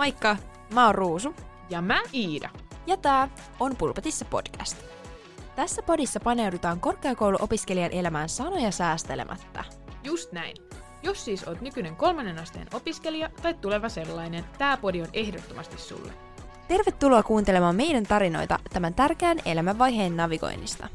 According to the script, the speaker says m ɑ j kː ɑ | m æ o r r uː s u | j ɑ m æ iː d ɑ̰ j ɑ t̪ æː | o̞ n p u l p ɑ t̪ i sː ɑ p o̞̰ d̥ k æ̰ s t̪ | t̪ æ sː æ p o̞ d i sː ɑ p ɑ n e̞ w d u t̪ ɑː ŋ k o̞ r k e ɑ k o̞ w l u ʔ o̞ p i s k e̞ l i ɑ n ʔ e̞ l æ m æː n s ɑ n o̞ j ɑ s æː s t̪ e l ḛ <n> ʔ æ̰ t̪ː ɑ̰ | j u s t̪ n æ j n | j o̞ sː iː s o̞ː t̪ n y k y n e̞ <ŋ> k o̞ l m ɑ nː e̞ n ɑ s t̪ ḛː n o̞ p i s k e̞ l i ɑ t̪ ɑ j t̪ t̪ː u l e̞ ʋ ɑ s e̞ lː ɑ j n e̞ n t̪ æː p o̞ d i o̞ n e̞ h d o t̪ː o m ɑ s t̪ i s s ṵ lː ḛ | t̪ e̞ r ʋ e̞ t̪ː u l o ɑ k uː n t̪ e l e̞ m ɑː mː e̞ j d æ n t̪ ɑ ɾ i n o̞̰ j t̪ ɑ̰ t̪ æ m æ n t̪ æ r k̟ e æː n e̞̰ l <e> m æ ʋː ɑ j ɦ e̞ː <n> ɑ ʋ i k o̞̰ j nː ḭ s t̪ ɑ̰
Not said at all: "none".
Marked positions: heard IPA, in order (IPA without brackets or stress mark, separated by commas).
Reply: m, ŋ, æ, nː